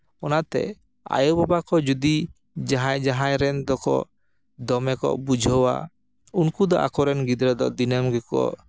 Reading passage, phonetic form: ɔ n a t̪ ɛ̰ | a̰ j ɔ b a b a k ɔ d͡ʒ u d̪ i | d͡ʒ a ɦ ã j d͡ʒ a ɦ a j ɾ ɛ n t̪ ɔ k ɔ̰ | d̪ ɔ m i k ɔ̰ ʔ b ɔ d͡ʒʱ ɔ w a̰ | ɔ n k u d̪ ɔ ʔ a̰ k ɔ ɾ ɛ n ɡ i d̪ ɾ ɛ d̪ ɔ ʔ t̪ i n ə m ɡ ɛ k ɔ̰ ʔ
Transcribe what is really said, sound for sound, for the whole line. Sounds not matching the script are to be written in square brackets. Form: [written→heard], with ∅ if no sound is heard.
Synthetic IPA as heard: ɔ n a t̪ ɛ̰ | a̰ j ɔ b a b a k ɔ d͡ʒ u d̪ i | d͡ʒ a ɦ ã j d͡ʒ a ɦ a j ɾ ɛ n [t̪→d̪] ɔ k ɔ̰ | d̪ ɔ m [i→ɛ] k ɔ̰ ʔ b [ɔ→u] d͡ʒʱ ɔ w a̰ | [ɔ→u] n k u d̪ ɔ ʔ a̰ k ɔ ɾ ɛ n ɡ i d̪ ɾ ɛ d̪ ɔ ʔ [t̪→d̪] i n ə m ɡ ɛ k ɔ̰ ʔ